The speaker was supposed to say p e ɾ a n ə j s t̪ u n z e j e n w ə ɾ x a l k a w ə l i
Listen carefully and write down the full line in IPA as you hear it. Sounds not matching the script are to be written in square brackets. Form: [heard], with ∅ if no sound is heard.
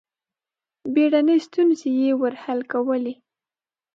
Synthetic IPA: [b] e [ɽ] a n ə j s t̪ u n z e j e [∅] w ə ɾ [h] a l k a w ə l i